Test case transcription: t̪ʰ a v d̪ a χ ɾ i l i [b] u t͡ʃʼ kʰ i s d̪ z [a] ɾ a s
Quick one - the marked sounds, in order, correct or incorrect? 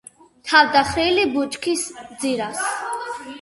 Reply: correct, incorrect: i

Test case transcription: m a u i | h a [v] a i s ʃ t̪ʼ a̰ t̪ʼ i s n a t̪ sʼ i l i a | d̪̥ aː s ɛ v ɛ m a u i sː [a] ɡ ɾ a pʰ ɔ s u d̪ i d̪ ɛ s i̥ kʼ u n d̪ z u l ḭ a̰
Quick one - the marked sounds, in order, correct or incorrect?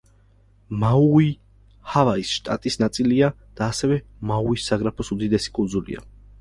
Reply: correct, correct

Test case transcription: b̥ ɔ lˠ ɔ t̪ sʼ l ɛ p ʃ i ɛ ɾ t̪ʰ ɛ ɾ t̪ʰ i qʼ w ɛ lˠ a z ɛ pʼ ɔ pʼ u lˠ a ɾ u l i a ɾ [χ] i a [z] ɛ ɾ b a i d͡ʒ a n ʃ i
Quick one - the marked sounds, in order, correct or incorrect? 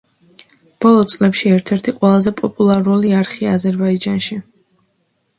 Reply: correct, correct

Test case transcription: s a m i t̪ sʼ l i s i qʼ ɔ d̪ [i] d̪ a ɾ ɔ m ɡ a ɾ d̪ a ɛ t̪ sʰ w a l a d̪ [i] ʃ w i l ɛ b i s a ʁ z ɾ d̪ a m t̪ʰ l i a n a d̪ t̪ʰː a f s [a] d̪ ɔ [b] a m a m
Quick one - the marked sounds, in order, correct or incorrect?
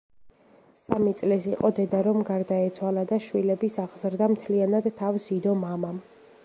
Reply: incorrect: ɛ, incorrect: a, incorrect: i, incorrect: m

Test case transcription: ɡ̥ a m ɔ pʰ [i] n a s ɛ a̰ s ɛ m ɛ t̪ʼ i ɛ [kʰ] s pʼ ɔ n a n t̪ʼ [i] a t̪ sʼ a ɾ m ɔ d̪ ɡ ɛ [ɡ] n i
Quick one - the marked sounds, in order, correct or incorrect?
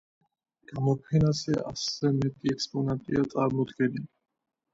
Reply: incorrect: ɛ, incorrect: k, correct, incorrect: none

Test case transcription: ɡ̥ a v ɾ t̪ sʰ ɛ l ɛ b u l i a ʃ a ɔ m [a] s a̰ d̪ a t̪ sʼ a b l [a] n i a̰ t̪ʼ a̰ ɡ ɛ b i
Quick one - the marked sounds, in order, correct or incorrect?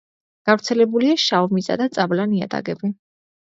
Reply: incorrect: i, correct

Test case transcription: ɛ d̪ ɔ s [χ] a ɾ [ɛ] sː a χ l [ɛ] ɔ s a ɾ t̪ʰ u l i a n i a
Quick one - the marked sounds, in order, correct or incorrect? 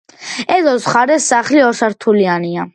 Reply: correct, correct, incorrect: i

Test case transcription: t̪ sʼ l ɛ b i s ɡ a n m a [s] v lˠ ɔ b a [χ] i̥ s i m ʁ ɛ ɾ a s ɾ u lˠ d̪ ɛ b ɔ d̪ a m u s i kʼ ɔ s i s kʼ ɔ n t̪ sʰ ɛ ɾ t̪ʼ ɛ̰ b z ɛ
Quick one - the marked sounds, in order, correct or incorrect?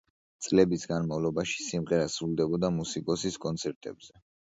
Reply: incorrect: none, incorrect: ʃ

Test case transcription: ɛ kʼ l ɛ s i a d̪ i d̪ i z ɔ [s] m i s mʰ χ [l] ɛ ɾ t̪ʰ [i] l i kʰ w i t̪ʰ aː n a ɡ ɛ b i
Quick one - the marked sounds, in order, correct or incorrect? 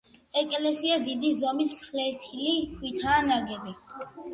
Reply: incorrect: none, correct, correct

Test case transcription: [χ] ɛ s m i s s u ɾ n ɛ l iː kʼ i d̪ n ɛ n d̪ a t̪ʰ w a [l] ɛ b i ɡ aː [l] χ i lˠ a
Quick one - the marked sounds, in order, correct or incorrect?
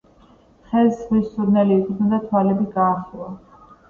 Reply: correct, correct, incorrect: none

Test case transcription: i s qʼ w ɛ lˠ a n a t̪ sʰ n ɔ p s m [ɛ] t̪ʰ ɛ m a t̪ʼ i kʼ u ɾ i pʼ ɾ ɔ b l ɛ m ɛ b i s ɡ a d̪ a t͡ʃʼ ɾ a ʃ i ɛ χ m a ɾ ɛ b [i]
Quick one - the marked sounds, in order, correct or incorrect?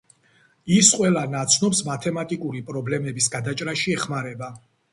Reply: incorrect: a, incorrect: a

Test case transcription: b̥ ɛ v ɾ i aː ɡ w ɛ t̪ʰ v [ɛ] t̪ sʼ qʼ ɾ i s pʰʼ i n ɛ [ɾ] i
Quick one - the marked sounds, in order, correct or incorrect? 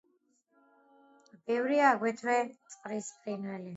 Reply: correct, incorrect: l

